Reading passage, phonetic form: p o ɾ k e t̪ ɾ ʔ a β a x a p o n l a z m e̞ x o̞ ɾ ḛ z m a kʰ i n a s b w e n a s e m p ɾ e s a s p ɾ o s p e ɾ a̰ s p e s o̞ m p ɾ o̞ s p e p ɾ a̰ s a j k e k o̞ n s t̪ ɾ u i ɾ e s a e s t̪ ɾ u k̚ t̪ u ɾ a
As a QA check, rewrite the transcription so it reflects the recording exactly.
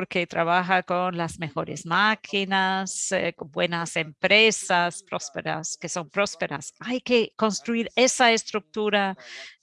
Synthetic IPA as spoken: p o ɾ k e t̪ ɾ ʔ a β a x a k o n l a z m e̞ x o̞ ɾ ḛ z m a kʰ i n a s b w e n a s e m p ɾ e s a s p ɾ o s p e ɾ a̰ s k e s o̞ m p ɾ o̞ s p e ɾ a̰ s a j k e k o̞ n s t̪ ɾ u i ɾ e s a e s t̪ ɾ u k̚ t̪ u ɾ a